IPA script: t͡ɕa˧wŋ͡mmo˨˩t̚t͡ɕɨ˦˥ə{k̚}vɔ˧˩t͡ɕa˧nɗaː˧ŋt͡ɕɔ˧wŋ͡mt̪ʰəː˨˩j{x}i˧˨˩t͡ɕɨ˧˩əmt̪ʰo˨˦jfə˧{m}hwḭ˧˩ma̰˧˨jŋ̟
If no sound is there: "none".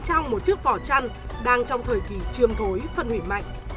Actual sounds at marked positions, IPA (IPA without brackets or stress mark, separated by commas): k̚, k, n